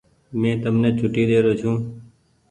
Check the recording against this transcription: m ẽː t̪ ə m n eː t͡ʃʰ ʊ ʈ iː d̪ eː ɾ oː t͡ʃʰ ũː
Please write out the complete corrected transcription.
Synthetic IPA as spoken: m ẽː t̪ ə m n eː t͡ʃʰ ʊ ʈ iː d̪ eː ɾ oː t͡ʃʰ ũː